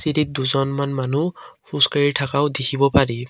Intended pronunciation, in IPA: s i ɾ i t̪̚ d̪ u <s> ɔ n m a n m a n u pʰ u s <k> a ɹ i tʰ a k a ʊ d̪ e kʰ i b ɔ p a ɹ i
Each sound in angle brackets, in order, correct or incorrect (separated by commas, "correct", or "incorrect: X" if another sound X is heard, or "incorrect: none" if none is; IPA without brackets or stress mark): incorrect: z, correct